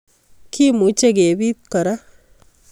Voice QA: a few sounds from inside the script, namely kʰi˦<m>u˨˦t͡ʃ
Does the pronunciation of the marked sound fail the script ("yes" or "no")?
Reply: no